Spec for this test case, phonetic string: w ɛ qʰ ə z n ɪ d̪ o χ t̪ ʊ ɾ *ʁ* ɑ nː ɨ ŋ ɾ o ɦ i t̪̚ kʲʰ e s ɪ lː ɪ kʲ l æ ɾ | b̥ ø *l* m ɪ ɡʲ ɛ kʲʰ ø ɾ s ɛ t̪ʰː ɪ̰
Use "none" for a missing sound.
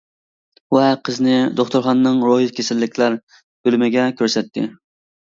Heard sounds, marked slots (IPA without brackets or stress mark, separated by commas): χ, l